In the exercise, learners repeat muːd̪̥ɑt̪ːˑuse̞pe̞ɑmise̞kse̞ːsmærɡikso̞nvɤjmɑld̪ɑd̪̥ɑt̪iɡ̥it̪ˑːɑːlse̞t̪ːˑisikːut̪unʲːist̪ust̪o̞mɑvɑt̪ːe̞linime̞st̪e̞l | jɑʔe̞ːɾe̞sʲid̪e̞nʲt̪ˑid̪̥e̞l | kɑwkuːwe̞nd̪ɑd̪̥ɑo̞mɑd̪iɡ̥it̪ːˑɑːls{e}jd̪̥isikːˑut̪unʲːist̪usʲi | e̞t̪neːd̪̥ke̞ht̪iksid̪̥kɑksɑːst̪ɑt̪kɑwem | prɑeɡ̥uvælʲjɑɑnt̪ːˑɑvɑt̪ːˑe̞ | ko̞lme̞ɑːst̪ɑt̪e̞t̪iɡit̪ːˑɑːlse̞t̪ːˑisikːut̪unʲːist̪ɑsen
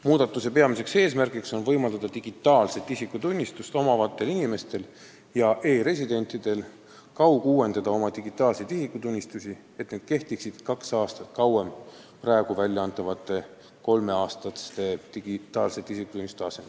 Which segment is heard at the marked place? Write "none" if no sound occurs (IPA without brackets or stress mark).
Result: e